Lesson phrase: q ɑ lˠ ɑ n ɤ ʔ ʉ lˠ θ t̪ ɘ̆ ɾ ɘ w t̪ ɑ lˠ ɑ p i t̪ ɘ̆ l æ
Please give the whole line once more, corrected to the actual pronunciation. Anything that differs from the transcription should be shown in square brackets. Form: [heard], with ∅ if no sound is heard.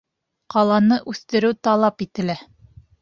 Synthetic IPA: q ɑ lˠ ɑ n ɤ ʔ ʉ [∅] θ t̪ ɘ̆ ɾ ɘ w t̪ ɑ lˠ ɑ p i t̪ ɘ̆ l æ